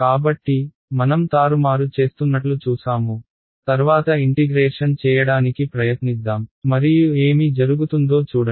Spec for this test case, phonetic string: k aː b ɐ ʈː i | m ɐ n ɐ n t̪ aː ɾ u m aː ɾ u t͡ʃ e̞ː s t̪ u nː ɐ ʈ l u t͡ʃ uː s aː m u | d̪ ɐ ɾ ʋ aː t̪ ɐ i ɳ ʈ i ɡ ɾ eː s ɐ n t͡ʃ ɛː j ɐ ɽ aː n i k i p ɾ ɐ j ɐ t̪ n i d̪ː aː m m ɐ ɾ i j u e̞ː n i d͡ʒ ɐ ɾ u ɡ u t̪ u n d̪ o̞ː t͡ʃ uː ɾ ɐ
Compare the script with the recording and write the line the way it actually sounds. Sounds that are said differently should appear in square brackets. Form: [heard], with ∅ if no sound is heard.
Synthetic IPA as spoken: k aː b ɐ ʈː i | m ɐ n ɐ [m] t̪ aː ɾ u m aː ɾ u t͡ʃ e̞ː s t̪ u nː ɐ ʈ l u t͡ʃ uː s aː m u | [t̪] ɐ ɾ ʋ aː t̪ ɐ i ɳ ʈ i ɡ ɾ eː [ʂ] ɐ n t͡ʃ ɛː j ɐ ɽ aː n i k i p ɾ ɐ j ɐ t̪ n i d̪ː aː m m ɐ ɾ i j u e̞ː [m] i d͡ʒ ɐ ɾ u ɡ u t̪ u n d̪ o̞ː t͡ʃ uː [ɽ] ɐ